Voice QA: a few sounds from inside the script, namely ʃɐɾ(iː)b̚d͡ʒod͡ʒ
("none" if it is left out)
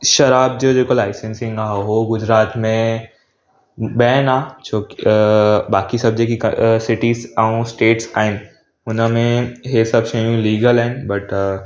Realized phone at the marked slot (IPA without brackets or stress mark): aː